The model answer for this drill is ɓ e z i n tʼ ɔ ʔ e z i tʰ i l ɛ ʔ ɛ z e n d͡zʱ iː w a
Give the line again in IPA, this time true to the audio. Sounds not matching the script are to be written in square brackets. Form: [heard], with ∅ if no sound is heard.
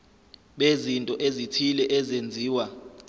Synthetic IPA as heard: ɓ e z i n tʼ ɔ ʔ e z i tʰ i l ɛ ʔ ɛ z e n d͡zʱ iː w a